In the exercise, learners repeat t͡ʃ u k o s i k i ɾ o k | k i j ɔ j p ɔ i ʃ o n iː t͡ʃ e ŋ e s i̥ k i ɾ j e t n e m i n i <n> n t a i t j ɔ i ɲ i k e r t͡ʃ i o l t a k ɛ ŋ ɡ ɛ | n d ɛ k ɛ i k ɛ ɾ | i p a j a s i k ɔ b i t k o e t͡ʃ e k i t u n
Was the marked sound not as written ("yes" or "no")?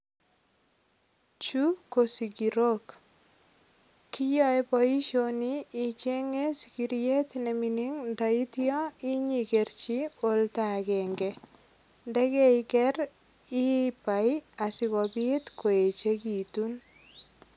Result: yes